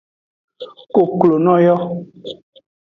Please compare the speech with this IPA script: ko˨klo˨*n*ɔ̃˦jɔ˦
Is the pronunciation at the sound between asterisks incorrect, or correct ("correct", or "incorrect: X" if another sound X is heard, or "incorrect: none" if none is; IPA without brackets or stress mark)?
correct